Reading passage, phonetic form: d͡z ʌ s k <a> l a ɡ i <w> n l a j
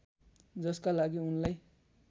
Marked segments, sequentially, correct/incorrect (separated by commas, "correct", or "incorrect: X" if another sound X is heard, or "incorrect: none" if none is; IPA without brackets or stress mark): correct, incorrect: u